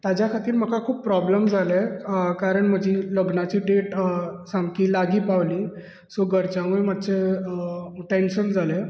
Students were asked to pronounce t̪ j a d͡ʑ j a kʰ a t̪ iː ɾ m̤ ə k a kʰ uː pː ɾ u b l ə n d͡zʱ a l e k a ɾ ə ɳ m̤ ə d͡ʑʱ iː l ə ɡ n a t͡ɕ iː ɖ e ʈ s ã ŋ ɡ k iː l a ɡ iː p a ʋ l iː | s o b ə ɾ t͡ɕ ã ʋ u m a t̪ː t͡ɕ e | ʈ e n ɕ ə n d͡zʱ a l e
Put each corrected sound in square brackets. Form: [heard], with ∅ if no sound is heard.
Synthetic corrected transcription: t̪ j a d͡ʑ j a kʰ a t̪ iː ɾ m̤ ə k a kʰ uː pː ɾ [ɔ] b l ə [m] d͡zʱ a l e k a ɾ ə ɳ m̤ ə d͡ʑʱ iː l ə ɡ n a t͡ɕ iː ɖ e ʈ s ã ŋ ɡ k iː l a ɡ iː p a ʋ l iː | s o [ɡ] ə ɾ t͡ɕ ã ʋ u m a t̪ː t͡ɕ e | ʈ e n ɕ ə n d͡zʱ a l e

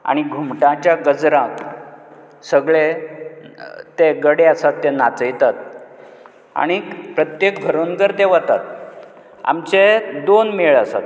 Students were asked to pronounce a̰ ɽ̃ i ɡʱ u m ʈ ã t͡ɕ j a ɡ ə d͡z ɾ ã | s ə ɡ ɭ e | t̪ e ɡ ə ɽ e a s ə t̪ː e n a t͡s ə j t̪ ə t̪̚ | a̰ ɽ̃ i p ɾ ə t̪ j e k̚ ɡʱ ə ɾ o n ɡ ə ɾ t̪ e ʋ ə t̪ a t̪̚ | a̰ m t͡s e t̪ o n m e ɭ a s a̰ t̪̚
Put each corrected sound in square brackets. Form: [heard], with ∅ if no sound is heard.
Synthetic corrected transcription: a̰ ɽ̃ i ɡʱ u m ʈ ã t͡ɕ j a ɡ ə d͡z ɾ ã | s ə ɡ ɭ e | t̪ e ɡ ə ɽ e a s [a] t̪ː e n a t͡s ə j t̪ [a] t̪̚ | a̰ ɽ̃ i p ɾ ə t̪ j e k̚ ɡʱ ə ɾ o n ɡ ə ɾ t̪ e ʋ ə t̪ a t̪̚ | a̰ m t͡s e [d̪] o n m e ɭ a s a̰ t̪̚

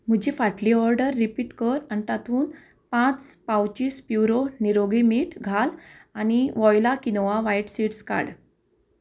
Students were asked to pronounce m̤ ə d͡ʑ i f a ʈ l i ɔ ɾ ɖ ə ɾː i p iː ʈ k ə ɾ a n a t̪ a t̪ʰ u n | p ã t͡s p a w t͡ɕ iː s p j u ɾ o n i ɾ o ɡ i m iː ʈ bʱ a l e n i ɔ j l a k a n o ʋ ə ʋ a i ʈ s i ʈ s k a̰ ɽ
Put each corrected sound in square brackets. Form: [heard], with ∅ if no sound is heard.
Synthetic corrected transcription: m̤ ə d͡ʑ i f a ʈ l i ɔ ɾ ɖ ə ɾː i p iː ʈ k ə ɾ a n [i] t̪ a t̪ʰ [uː] n | p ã t͡s p a w t͡ɕ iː s p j u ɾ o n i ɾ o ɡ i m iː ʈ [ɡʱ] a l [a] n i ɔ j l a k [i] n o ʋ [a] ʋ a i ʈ s i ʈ s k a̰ ɽ

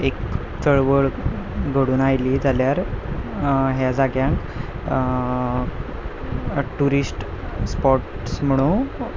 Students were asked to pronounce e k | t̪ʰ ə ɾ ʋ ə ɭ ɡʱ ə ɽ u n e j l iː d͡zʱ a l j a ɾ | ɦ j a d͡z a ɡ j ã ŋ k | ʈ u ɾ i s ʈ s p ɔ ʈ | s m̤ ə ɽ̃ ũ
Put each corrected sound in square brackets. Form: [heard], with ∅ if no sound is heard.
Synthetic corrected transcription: e k | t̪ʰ ə [ɭ] ʋ ə ɭ ɡʱ ə ɽ [uː] n [a] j l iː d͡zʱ a l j a ɾ | ɦ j a d͡z a ɡ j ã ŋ k | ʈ u ɾ i s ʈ s p ɔ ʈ | s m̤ ə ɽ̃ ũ

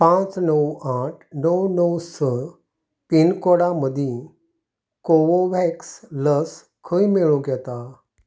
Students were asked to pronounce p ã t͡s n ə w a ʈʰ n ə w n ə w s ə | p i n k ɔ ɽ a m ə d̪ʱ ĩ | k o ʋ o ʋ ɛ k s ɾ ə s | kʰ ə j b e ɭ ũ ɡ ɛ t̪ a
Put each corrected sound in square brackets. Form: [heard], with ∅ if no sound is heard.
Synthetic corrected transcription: p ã t͡s n ə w a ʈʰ n ə w n ə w s ə | p i n k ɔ ɽ a m ə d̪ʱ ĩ | k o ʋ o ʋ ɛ k s [l] ə s | kʰ ə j [m] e ɭ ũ ɡ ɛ t̪ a

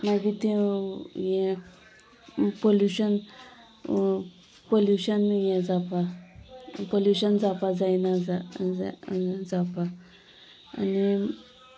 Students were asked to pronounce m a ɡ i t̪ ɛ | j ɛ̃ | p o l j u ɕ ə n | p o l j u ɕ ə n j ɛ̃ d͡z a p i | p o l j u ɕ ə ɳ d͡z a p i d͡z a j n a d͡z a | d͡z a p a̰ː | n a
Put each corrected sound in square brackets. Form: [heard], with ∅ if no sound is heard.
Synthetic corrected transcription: m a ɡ i t̪ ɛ | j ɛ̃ | p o l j u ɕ ə n | p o l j u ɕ ə n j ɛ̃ d͡z a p [a] | p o l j u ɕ ə [n] d͡z a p [a] d͡z a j n a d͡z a | d͡z a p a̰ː | n [i]

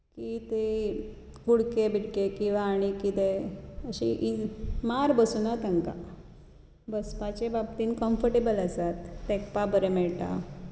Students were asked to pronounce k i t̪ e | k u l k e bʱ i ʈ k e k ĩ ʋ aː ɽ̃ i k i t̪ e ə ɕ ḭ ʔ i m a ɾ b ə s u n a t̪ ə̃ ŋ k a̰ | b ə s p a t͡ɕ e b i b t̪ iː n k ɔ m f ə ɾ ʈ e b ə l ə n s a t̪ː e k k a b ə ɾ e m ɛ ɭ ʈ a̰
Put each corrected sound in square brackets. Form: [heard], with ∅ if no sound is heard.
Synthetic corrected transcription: k i t̪ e | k u [ɽ] k e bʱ i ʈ k e k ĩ ʋ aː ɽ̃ i k i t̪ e ə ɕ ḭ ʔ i m a ɾ b ə s u n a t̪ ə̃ ŋ k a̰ | b ə s p a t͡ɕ e b [a] b t̪ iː n k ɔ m f ə ɾ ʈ e b ə l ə [∅] s a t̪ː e k [p] a b ə ɾ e m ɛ ɭ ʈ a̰

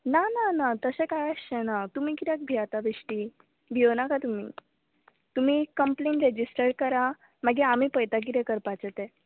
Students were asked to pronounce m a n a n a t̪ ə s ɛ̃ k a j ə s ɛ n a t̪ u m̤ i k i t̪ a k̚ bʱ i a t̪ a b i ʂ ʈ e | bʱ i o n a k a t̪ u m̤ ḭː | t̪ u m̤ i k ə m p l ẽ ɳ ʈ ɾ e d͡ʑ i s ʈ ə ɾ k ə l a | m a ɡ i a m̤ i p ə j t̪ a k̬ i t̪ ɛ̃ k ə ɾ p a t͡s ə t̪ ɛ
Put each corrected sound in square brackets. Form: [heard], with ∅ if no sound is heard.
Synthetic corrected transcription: [n] a n a n a t̪ ə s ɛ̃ k a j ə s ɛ n a t̪ u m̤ i k i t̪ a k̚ bʱ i a t̪ a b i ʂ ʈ [i] | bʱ i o n a k a t̪ u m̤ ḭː | t̪ u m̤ i k ə m p l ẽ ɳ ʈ ɾ e d͡ʑ i s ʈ ə ɾ k ə [ɾ] a | m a ɡ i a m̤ i p ə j t̪ a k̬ i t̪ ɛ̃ k ə ɾ p a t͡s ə t̪ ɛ

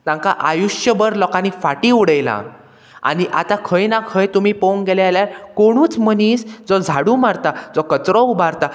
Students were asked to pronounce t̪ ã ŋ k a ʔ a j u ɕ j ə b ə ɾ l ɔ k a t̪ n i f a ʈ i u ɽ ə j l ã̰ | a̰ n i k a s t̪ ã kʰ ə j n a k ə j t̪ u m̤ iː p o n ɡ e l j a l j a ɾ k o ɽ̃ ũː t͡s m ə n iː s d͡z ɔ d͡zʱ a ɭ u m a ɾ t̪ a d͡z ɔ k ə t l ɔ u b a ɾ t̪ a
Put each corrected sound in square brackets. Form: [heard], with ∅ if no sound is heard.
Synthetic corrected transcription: t̪ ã ŋ k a ʔ a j u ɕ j ə b ə ɾ l ɔ k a [∅] n i f a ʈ i u ɽ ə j l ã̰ | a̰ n i [ʔ] a [∅] t̪ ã kʰ ə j n a [kʰ] ə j t̪ u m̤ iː p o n ɡ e l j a l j a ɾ k o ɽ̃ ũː t͡s m ə n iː s d͡z ɔ d͡zʱ a [ɽ] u m a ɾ t̪ a d͡z ɔ k ə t [ɾ] ɔ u b a ɾ t̪ a

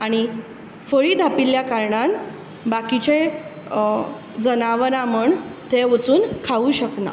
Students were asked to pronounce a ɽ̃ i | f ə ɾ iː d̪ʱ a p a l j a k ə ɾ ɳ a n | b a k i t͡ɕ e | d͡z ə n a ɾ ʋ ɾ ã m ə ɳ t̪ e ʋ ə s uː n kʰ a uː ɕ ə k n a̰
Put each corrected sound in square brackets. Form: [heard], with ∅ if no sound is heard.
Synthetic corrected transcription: a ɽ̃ i | f ə [ɭ] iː d̪ʱ a p [i] l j a k [a] ɾ ɳ a n | b a k i t͡ɕ e | d͡z ə n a [∅] ʋ ɾ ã m ə ɳ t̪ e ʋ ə [t͡s] uː n kʰ a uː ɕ ə k n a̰

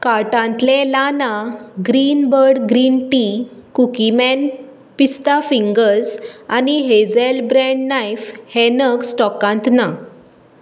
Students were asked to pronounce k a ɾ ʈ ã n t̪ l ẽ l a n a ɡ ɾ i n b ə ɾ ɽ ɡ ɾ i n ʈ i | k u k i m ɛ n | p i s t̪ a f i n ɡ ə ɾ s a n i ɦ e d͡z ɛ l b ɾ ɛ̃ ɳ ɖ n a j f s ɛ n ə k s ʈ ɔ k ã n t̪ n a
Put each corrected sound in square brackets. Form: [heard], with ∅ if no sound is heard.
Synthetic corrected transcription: k a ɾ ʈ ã n t̪ l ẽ l a n a ɡ ɾ i n b ə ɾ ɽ ɡ ɾ i n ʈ i | k u k i m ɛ n | p i s t̪ a f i [ŋ] ɡ ə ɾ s a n i ɦ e d͡z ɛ l b ɾ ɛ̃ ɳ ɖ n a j f [h] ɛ n ə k s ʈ ɔ k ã n t̪ n a

